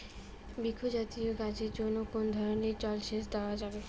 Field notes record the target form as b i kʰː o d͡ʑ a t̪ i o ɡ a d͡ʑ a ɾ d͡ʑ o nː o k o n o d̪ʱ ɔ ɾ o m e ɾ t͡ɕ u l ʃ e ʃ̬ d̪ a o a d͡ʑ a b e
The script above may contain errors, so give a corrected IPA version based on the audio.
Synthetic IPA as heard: b i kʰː o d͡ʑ a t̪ i o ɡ a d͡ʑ e ɾ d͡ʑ o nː o k o n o d̪ʱ ɔ ɾ o n e ɾ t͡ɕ ɔ l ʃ e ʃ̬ d̪ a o a d͡ʑ a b e